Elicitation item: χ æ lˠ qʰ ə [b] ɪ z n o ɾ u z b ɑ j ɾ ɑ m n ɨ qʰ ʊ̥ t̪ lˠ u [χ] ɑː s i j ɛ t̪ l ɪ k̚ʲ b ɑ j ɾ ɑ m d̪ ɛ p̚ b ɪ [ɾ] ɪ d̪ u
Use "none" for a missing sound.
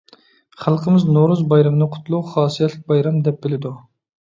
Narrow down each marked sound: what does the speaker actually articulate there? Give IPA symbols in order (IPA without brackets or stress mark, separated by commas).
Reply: m, χ, l